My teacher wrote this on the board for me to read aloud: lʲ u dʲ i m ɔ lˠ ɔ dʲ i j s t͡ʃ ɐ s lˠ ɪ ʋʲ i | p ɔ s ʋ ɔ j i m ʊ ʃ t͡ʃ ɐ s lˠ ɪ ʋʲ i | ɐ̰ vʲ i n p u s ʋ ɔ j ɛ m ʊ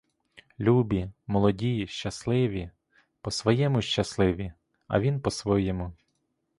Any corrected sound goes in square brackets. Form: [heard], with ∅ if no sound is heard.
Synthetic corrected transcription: lʲ u [bʲ] i m ɔ lˠ ɔ dʲ i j [ʃ] t͡ʃ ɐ s lˠ ɪ ʋʲ i | p ɔ s ʋ ɔ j [ɛ] m ʊ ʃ t͡ʃ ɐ s lˠ ɪ ʋʲ i | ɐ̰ [ʋʲ] i n p [ɔ] s ʋ ɔ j ɛ m ʊ

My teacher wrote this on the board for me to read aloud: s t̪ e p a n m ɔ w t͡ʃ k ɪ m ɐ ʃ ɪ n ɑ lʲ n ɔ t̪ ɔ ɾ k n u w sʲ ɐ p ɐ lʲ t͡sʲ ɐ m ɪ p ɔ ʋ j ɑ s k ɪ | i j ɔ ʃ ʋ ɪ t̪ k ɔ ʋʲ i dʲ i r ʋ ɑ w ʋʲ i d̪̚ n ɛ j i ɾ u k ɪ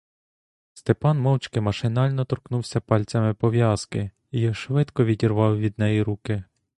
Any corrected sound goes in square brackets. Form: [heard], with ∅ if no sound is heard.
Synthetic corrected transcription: s t̪ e p [ɑ] n m ɔ w t͡ʃ k ɪ m ɐ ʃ ɪ n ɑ lʲ n ɔ t̪ ɔ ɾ k n u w sʲ ɐ p [ɑ] lʲ t͡sʲ ɐ m ɪ p ɔ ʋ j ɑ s k ɪ | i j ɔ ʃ ʋ ɪ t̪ k ɔ ʋʲ i dʲ i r ʋ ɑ w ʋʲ i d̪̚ n ɛ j i ɾ u k ɪ

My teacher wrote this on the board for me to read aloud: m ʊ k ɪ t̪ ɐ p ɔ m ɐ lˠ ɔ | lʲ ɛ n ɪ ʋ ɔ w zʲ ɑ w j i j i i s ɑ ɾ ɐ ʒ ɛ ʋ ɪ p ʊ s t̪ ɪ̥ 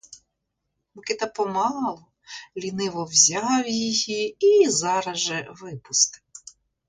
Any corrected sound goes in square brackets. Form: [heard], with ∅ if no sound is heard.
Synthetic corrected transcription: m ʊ k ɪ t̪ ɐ p ɔ m [ɑ] lˠ ɔ | lʲ [i] n ɪ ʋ ɔ w zʲ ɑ w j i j i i [z] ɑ ɾ ɐ ʒ ɛ ʋ ɪ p ʊ s t̪ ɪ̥

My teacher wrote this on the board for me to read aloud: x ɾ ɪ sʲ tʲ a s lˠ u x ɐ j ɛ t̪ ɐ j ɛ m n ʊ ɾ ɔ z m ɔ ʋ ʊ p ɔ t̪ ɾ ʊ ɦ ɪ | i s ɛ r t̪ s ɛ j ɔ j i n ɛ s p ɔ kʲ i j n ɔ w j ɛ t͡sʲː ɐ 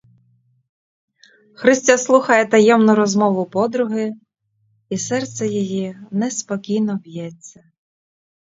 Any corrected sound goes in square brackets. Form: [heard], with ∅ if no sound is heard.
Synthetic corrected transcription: x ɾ ɪ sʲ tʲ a s lˠ u x ɐ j ɛ t̪ ɐ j ɛ m n ʊ ɾ ɔ z m ɔ ʋ ʊ p ɔ [d̪] ɾ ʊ ɦ ɪ | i s ɛ r t̪ s ɛ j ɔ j i n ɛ s p ɔ kʲ i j n ɔ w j ɛ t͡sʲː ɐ

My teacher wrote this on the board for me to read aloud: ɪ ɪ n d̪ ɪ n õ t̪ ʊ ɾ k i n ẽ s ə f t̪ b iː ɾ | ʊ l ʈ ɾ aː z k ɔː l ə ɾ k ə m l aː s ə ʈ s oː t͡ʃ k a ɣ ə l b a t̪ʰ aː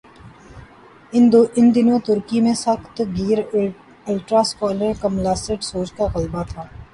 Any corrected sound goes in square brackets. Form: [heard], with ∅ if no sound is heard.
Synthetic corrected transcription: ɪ ɪ n d̪ ɪ n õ t̪ ʊ ɾ k i [m] ẽ s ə [x] t̪ [ɡ] iː ɾ | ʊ l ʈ ɾ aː [s] k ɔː l ə ɾ k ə m l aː s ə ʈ s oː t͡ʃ k a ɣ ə l b a t̪ʰ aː

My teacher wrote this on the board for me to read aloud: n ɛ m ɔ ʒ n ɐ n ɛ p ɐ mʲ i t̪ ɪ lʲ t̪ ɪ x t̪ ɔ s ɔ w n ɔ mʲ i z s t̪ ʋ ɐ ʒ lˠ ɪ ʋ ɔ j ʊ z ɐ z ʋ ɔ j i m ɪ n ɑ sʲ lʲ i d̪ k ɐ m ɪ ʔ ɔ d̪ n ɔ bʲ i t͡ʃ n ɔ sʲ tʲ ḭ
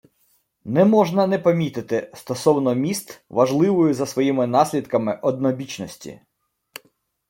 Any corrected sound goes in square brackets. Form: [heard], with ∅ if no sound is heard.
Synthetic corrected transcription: n ɛ m ɔ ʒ n ɐ n ɛ p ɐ mʲ i t̪ ɪ [∅] t̪ ɪ [s] t̪ ɔ s ɔ w n ɔ mʲ i [∅] s t̪ ʋ ɐ ʒ lˠ ɪ ʋ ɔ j ʊ z ɐ [s] ʋ ɔ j i m ɪ n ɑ sʲ lʲ i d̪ k ɐ m ɪ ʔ ɔ d̪ n ɔ bʲ i t͡ʃ n ɔ sʲ tʲ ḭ

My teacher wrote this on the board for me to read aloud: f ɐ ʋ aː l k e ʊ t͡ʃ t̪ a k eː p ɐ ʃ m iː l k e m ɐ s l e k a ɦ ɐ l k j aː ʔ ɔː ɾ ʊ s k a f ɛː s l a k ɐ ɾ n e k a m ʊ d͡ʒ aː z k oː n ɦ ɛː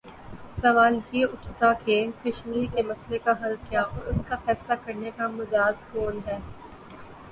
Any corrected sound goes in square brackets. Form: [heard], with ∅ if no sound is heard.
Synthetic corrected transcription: [s] ɐ ʋ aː l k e ʊ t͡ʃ t̪ a k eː [k] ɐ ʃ m iː [ɾ] k e m ɐ s l e k a ɦ ɐ l k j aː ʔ ɔː ɾ ʊ s k a f ɛː s l a k ɐ ɾ n e k a m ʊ d͡ʒ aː z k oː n ɦ ɛː

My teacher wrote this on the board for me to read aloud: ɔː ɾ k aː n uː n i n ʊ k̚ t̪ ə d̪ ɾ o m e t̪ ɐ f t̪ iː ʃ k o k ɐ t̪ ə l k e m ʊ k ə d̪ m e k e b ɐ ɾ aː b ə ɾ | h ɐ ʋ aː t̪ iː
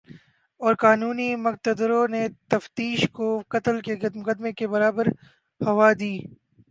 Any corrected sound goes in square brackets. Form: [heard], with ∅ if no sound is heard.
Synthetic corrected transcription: ɔː ɾ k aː n uː n i [m] ʊ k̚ t̪ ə d̪ ɾ o [n] e t̪ ɐ f t̪ iː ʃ k o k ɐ t̪ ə l k e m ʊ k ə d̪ m e k e b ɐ ɾ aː b ə ɾ | h ɐ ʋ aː [d̪] iː

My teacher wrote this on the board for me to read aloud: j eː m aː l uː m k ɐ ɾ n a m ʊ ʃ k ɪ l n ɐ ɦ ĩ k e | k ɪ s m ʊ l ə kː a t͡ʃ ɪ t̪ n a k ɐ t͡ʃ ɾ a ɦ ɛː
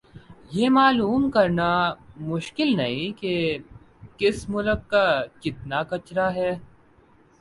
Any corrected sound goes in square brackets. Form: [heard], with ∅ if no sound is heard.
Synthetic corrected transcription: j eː m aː l uː m k ɐ ɾ n a m ʊ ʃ k ɪ l n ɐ ɦ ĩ k e | k ɪ s m ʊ l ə kː a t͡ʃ ɪ t̪ n a k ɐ t͡ʃ ɾ a ɦ ɛː

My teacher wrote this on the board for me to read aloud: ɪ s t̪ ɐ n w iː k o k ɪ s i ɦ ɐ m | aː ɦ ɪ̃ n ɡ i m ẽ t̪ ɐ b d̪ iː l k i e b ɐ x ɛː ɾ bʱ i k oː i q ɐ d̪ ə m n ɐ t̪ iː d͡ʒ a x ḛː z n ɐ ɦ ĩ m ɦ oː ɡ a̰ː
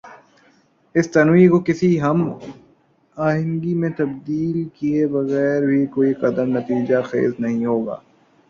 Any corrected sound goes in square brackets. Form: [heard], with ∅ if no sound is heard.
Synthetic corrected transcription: ɪ s t̪ ɐ n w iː k o k ɪ s i ɦ ɐ m | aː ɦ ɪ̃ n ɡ i m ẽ t̪ ɐ b d̪ iː l k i e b ɐ [ɣ] ɛː ɾ bʱ i k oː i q ɐ d̪ ə m n ɐ t̪ iː d͡ʒ a x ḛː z n ɐ ɦ ĩ [∅] ɦ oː ɡ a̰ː

